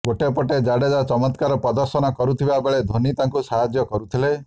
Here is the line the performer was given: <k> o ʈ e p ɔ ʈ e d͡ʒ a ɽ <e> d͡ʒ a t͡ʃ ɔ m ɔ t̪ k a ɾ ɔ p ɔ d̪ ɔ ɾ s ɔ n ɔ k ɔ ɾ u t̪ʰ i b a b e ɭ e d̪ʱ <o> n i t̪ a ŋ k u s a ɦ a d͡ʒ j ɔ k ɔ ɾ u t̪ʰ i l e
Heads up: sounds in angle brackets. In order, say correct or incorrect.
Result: incorrect, correct, correct

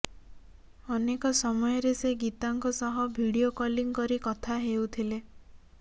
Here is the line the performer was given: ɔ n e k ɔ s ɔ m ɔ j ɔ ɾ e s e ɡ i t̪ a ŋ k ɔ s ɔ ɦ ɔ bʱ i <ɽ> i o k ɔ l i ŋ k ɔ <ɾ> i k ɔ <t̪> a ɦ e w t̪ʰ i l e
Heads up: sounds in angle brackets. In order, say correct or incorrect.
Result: correct, correct, incorrect

